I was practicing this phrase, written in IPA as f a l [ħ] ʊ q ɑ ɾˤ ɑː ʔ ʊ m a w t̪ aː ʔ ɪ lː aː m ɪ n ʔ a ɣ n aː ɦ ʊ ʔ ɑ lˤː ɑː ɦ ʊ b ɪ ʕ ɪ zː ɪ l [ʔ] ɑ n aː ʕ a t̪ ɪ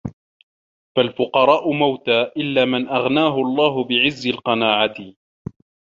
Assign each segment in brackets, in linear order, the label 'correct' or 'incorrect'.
incorrect, incorrect

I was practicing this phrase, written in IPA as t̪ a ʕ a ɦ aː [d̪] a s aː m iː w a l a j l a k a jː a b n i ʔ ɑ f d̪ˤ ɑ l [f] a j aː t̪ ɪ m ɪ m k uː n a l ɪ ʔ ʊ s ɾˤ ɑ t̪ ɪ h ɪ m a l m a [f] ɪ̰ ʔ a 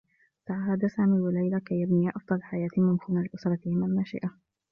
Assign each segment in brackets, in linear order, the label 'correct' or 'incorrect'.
correct, incorrect, incorrect

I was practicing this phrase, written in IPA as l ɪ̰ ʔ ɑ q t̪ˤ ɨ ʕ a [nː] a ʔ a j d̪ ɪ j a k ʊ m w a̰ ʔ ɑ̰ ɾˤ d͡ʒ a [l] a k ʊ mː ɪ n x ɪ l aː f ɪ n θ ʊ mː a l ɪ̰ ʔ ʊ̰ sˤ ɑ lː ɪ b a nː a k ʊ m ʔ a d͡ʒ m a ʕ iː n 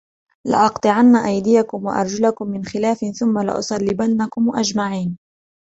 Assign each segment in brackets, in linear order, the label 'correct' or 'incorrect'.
correct, correct

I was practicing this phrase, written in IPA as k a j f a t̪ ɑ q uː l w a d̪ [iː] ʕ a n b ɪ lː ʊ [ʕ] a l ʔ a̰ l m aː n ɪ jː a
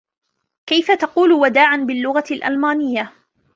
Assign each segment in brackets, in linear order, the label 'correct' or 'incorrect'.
incorrect, incorrect

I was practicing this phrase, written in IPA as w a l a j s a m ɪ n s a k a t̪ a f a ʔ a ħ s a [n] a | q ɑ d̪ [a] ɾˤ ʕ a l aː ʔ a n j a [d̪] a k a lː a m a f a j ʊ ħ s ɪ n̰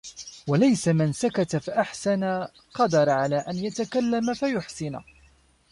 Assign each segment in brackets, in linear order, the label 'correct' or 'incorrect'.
correct, incorrect, incorrect

